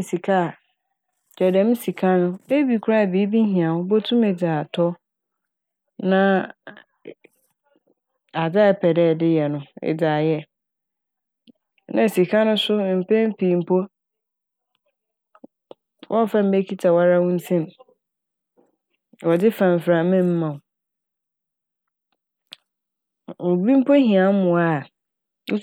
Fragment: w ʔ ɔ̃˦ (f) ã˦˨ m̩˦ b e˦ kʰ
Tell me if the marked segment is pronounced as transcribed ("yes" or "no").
yes